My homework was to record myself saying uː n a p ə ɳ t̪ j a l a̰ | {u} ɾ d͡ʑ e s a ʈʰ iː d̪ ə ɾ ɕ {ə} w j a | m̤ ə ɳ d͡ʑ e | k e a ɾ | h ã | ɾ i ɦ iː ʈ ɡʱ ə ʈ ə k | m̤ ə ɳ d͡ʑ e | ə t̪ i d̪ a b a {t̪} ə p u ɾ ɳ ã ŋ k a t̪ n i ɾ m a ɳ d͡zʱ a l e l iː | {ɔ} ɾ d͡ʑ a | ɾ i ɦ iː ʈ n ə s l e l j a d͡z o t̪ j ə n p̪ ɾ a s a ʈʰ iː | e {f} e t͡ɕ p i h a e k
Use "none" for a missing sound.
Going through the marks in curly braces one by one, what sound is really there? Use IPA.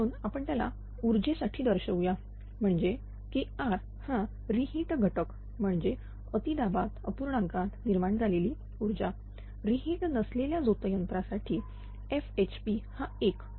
u, ə, t̪, u, f

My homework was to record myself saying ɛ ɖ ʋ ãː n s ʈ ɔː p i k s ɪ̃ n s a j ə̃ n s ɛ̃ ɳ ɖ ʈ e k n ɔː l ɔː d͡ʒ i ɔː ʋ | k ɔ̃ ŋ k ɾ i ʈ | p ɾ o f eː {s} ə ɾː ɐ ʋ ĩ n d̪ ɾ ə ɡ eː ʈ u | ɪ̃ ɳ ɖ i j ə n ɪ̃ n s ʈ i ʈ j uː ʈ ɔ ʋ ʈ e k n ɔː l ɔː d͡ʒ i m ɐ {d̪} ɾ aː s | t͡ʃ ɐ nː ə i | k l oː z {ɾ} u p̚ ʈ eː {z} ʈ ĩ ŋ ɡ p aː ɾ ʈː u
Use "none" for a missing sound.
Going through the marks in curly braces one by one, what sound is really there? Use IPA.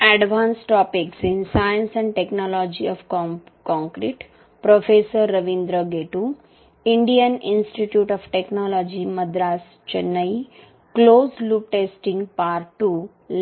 s, d̪, l, s

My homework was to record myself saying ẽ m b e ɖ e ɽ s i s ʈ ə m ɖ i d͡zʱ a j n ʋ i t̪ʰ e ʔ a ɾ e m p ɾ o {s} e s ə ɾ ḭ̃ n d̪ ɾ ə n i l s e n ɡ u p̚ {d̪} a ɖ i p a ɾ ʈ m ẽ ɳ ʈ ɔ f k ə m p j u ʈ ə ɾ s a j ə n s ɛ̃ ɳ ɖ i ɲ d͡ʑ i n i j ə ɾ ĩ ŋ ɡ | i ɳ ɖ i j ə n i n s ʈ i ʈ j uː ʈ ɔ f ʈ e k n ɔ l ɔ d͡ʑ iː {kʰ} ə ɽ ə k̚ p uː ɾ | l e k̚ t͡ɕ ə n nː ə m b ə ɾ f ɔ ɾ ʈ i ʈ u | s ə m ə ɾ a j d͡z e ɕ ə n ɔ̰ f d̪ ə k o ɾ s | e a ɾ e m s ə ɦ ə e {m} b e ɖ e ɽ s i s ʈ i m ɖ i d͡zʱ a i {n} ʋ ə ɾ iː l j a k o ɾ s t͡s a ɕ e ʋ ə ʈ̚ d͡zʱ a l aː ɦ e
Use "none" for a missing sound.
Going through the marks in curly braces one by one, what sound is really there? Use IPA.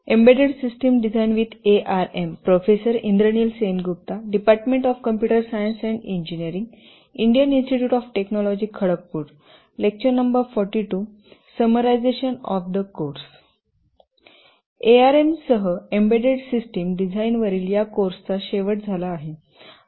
f, t̪, kʰ, m, n

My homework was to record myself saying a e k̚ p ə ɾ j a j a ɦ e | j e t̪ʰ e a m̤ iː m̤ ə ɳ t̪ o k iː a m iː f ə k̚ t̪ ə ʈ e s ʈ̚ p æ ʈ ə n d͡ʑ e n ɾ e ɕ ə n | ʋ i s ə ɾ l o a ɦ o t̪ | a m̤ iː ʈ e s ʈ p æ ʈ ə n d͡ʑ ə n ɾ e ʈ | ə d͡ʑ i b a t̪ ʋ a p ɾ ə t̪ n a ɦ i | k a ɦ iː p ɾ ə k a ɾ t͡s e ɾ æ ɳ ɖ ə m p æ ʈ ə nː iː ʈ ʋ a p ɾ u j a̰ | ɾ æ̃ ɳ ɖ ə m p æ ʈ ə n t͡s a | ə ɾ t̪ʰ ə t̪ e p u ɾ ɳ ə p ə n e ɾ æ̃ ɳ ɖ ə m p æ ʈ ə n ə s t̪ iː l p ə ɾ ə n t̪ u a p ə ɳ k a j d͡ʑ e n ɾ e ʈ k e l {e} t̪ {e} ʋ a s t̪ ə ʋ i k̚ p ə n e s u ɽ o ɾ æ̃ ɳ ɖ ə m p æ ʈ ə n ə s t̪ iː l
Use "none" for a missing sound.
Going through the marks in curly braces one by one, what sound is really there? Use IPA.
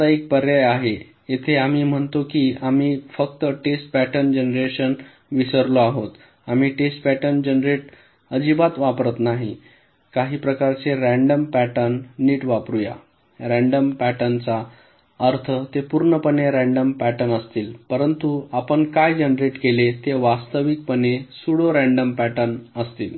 e, e

